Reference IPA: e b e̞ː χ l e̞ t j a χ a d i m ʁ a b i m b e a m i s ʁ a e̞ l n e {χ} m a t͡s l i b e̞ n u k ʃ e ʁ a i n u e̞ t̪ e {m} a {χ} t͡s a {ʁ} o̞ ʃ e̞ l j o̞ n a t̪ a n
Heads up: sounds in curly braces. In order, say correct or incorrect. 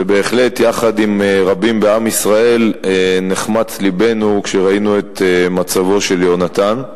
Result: correct, correct, incorrect, incorrect

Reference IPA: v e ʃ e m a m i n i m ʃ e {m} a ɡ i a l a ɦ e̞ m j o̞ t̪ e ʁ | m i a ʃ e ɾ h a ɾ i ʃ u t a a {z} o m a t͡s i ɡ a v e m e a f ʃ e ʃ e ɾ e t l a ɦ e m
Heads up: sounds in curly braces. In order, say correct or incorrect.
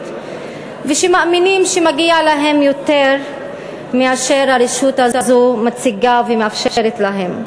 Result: correct, correct

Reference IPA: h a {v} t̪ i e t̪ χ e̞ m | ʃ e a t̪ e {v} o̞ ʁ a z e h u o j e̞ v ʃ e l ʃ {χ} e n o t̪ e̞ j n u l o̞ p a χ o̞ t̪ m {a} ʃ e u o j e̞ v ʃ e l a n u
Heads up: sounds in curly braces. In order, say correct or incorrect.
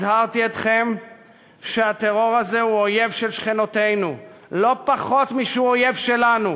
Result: incorrect, incorrect, correct, incorrect

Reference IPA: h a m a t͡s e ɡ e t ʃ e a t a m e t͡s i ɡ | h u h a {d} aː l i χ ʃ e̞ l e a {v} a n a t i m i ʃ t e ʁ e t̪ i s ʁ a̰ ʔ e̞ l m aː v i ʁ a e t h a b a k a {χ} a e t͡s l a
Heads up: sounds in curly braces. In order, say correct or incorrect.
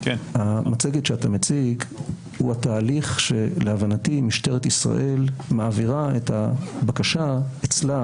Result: incorrect, correct, incorrect

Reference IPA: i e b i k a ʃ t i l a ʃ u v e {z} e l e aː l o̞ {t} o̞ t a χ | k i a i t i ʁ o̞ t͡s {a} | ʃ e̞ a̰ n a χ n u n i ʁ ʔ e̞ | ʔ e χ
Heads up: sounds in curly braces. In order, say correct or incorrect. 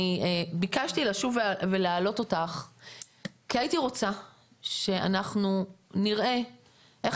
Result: incorrect, correct, correct

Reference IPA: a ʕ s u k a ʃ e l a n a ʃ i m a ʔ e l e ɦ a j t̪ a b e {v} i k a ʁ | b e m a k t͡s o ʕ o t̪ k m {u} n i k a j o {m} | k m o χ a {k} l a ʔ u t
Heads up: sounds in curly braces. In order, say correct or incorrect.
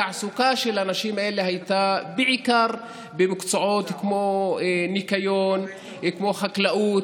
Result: incorrect, incorrect, incorrect, correct

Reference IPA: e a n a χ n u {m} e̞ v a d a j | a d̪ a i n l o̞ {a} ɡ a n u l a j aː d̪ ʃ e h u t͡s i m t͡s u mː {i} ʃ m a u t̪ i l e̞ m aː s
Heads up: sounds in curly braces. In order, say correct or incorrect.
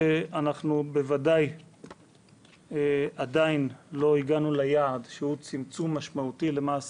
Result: incorrect, incorrect, incorrect

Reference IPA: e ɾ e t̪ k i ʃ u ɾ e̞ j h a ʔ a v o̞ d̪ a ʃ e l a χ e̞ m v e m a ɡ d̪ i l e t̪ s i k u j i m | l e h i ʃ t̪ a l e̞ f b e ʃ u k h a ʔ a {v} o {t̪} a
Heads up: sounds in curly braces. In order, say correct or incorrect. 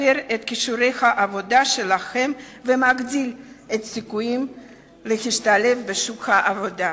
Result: correct, incorrect

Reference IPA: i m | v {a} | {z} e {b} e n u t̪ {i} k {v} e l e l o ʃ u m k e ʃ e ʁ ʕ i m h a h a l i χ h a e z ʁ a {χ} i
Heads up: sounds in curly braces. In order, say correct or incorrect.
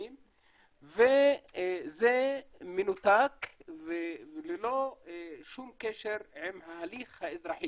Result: incorrect, correct, incorrect, incorrect, correct, incorrect

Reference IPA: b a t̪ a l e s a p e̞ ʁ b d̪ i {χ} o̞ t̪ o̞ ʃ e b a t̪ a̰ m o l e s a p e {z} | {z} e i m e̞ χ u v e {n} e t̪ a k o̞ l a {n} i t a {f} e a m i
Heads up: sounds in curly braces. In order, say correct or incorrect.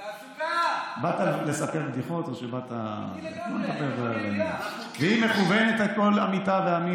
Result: correct, incorrect, incorrect, correct, incorrect, incorrect

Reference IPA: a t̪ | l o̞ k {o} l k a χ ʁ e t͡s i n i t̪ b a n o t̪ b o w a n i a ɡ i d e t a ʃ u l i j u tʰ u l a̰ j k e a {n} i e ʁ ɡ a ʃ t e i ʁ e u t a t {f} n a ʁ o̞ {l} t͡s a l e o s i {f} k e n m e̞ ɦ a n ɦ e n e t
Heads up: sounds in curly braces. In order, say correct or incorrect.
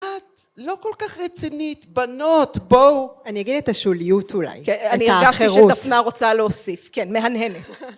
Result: correct, correct, correct, incorrect, correct

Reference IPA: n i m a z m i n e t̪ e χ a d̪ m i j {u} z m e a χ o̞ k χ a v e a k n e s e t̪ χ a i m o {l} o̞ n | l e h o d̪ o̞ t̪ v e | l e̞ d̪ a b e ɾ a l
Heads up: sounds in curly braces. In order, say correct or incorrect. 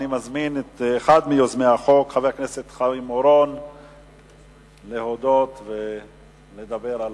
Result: incorrect, incorrect

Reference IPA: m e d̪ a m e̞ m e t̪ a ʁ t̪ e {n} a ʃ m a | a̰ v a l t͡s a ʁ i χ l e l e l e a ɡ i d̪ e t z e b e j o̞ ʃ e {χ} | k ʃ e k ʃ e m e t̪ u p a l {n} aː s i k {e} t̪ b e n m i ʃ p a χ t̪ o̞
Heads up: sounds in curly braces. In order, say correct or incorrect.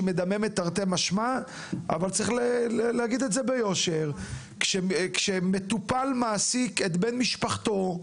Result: incorrect, incorrect, incorrect, correct

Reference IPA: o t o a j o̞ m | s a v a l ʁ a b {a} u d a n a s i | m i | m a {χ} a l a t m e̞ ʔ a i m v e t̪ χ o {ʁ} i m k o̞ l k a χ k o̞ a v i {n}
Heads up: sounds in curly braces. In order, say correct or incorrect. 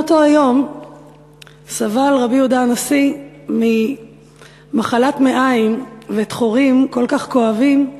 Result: incorrect, correct, correct, incorrect

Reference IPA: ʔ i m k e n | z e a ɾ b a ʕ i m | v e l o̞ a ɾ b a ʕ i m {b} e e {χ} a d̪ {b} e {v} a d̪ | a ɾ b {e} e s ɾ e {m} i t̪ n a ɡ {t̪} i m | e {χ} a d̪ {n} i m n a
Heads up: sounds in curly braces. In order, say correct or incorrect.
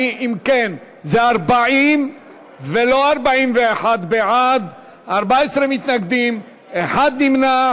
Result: incorrect, incorrect, correct, incorrect, incorrect, correct, incorrect, incorrect, correct

